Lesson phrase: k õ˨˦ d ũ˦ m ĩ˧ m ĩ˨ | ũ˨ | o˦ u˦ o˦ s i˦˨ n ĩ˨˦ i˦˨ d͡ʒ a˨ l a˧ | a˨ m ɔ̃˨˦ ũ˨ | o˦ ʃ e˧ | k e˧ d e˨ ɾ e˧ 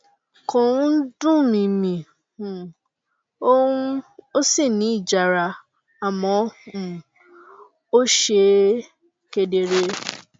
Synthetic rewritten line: k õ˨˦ d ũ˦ m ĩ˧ m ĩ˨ | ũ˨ | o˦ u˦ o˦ s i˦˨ n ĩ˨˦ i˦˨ d͡ʒ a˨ ɾ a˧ | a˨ m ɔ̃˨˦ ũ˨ | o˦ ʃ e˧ | k e˧ d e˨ ɾ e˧